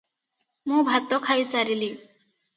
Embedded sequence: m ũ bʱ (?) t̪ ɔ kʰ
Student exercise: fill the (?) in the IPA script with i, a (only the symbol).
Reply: a